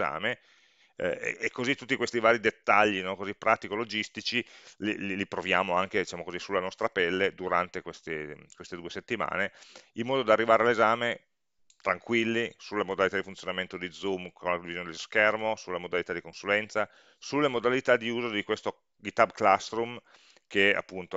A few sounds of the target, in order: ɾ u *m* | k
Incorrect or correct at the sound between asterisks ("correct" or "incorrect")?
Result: correct